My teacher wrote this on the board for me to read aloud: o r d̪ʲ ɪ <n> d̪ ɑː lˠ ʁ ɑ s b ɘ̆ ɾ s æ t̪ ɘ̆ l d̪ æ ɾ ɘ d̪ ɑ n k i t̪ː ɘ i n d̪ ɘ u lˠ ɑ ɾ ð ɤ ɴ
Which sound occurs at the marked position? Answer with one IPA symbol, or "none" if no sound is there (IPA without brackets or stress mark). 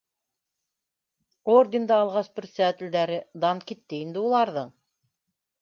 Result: n